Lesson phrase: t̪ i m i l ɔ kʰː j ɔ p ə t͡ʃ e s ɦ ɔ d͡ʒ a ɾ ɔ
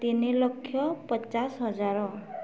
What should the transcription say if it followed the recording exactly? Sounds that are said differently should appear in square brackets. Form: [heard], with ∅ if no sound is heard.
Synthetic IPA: t̪ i [n] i l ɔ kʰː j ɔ p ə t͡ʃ [a] s ɦ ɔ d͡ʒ a ɾ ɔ

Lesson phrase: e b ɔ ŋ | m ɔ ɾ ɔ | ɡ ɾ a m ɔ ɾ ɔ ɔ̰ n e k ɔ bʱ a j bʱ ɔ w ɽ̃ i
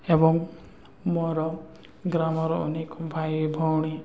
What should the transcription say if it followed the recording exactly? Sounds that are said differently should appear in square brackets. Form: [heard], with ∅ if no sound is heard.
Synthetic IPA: e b ɔ ŋ | m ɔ ɾ ɔ | ɡ ɾ a m ɔ ɾ ɔ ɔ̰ n e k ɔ bʱ a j bʱ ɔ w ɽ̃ i

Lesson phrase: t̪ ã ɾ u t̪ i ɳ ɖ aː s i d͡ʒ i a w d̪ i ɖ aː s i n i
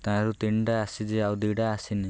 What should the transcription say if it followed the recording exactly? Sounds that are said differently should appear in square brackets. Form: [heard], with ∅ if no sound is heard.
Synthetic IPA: t̪ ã ɾ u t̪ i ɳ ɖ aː s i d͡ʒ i a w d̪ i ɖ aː s i n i

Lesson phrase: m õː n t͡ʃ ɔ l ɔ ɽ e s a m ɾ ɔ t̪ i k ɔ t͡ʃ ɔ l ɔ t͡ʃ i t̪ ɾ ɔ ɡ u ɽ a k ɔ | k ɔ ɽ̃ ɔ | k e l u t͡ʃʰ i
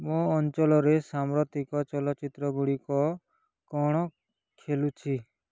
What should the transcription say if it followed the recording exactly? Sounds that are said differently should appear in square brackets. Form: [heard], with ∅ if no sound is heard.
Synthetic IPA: m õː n t͡ʃ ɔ l ɔ [ɾ] e s a m ɾ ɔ t̪ i k ɔ t͡ʃ ɔ l ɔ t͡ʃ i t̪ ɾ ɔ ɡ u ɽ [i] k ɔ | k ɔ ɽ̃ ɔ | [kʰ] e l u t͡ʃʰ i

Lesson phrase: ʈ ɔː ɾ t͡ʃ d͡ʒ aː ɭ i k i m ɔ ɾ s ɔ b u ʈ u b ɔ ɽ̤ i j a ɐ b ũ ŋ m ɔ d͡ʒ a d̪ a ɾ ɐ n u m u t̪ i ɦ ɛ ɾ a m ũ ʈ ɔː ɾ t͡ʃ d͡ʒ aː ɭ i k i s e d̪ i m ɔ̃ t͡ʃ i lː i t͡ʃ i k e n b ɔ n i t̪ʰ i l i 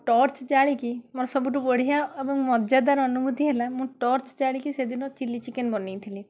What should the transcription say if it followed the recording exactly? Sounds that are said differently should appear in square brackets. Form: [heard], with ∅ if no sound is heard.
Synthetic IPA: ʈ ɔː ɾ t͡ʃ d͡ʒ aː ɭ i k i m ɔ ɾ s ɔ b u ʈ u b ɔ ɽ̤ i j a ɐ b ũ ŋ m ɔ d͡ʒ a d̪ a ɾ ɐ n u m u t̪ i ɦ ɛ [l] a m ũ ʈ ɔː ɾ t͡ʃ d͡ʒ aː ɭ i k i s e d̪ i [n] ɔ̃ t͡ʃ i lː i t͡ʃ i k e n b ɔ n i t̪ʰ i l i

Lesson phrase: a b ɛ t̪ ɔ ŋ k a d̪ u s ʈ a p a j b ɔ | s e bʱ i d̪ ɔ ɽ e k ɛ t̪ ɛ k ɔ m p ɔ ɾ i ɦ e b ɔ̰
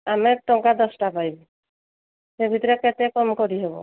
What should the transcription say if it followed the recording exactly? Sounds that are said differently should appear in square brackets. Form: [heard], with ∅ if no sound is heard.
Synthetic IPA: a [m] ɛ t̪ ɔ ŋ k a d̪ [ɔ] s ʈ a p a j b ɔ | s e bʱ i [t̪] ɔ [ɾ] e k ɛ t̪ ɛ k ɔ m [k] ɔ ɾ i ɦ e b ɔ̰

